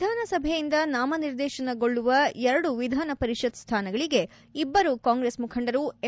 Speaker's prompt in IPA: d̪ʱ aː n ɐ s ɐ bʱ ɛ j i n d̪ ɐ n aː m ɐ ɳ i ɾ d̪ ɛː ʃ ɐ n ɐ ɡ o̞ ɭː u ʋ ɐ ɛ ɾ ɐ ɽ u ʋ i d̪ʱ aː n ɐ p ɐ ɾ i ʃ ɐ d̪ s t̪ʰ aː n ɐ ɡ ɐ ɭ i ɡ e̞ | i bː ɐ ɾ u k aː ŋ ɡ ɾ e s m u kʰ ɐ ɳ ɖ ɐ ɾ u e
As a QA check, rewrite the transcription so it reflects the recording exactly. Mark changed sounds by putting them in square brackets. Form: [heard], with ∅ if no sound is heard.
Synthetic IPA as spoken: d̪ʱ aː n ɐ s ɐ bʱ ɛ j i n d̪ ɐ n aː m ɐ [n] i ɾ d̪ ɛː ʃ ɐ n ɐ ɡ o̞ ɭː u ʋ ɐ ɛ ɾ ɐ ɽ u ʋ i d̪ʱ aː n ɐ p ɐ ɾ i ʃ ɐ d̪ s t̪ʰ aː n ɐ ɡ ɐ ɭ i ɡ e̞ | i bː ɐ ɾ u k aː ŋ ɡ ɾ e s m u kʰ ɐ ɳ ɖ ɐ ɾ u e